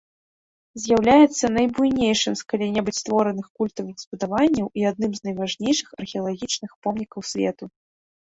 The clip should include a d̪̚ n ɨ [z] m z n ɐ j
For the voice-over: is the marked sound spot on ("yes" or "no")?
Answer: no